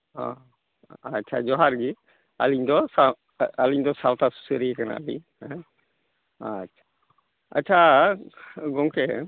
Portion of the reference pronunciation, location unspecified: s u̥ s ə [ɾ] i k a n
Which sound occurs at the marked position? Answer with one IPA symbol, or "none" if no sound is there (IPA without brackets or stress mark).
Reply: ɾ